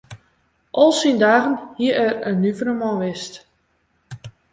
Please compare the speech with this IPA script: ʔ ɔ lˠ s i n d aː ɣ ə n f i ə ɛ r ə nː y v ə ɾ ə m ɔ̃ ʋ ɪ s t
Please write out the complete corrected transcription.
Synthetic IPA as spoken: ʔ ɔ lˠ s i n d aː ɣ ə n h i ə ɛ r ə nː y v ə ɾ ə m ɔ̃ ʋ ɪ s t